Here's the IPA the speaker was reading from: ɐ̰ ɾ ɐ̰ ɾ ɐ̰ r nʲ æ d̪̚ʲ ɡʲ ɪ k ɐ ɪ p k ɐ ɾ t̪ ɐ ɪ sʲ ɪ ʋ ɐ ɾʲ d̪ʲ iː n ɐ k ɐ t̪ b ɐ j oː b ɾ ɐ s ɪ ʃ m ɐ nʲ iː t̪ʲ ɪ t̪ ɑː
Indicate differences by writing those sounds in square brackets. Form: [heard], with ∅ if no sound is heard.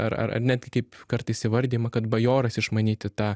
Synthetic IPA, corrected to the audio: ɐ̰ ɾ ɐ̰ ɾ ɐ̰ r nʲ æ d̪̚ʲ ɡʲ ɪ k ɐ ɪ p k ɐ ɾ t̪ ɐ ɪ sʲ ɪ ʋ ɐ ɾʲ d̪ʲ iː [m] ɐ k ɐ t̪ b ɐ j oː [∅] ɾ ɐ s ɪ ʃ m ɐ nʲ iː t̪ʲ ɪ t̪ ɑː